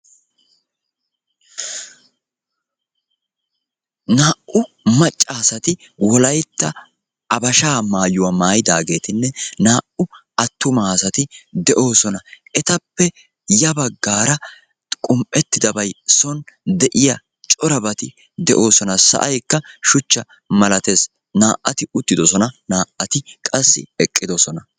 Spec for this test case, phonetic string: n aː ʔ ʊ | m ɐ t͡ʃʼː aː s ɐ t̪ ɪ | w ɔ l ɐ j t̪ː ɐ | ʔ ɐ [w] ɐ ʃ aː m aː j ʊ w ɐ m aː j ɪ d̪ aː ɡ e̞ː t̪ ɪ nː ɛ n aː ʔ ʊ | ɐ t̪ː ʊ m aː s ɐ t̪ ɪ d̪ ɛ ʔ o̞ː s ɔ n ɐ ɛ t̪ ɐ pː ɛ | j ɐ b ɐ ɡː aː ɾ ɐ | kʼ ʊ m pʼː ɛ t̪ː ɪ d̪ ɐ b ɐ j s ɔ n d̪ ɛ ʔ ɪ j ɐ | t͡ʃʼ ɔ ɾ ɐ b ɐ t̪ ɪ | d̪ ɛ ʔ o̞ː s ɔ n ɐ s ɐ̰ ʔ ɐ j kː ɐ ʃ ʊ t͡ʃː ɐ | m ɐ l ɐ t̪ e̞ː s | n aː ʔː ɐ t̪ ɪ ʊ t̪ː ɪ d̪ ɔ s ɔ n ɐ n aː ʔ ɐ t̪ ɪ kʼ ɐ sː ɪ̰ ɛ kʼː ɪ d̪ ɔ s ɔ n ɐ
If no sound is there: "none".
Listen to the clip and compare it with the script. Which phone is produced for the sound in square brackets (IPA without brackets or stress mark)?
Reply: b